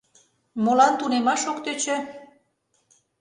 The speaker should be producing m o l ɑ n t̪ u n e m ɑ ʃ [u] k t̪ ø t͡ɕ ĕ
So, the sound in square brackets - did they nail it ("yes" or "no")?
no